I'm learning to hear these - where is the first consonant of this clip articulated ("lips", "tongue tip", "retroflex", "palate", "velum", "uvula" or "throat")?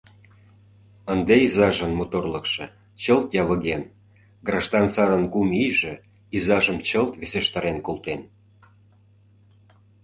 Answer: tongue tip